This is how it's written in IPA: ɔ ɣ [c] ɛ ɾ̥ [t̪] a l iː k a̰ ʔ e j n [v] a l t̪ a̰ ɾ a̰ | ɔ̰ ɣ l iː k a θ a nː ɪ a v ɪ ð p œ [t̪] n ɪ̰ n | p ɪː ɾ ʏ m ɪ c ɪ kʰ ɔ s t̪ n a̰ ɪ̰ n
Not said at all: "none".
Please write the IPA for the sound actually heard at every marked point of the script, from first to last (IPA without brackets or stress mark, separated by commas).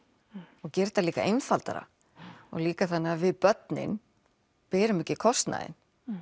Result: c, t̪, f, t̪